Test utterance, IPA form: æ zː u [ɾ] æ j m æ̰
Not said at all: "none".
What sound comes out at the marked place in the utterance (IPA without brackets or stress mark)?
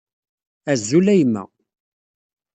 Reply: l